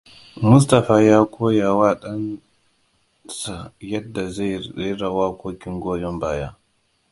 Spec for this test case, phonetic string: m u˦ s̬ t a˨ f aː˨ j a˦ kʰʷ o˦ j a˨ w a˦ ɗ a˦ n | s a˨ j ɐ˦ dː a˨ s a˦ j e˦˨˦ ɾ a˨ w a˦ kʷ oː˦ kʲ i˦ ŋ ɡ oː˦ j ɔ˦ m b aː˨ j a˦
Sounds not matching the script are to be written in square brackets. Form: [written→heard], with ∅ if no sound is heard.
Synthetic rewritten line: m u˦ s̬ t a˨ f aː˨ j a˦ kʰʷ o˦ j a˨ w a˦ ɗ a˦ n | s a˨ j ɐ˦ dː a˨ [s→z] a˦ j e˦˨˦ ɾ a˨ w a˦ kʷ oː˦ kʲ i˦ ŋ ɡ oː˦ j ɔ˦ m b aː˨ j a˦